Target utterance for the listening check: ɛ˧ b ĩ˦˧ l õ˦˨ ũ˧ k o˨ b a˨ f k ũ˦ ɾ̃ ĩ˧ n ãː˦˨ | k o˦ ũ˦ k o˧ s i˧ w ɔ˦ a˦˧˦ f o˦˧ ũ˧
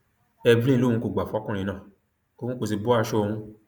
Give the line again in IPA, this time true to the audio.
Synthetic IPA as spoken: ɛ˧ b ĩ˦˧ l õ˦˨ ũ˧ k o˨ ɡ͡b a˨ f k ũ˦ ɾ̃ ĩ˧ n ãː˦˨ | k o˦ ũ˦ k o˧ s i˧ b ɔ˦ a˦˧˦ ʃ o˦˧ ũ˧

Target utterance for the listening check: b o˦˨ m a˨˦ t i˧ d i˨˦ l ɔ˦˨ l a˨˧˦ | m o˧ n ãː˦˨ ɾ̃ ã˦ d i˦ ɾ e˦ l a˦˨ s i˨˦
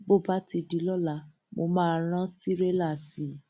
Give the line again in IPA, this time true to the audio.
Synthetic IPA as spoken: b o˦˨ b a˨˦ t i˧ d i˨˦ l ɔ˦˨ l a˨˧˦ | m o˧ m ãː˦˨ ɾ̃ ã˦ t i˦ ɾ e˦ l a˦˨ s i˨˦

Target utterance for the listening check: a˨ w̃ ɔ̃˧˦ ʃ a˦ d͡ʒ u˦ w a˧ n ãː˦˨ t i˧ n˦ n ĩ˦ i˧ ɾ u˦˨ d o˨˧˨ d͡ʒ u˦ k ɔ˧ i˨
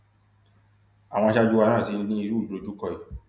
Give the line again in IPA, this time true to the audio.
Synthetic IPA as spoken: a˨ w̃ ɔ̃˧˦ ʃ a˦ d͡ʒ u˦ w a˧ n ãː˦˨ t i˧ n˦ n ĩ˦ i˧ ɾ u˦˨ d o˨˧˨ d͡ʒ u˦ k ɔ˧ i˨

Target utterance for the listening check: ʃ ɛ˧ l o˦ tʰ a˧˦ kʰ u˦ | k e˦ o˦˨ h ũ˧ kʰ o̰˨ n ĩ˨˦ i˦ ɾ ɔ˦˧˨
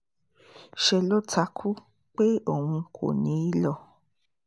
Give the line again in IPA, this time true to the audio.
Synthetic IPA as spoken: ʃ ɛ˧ l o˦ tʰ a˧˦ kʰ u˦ | k͡p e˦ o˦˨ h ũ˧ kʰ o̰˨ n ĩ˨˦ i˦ l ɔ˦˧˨

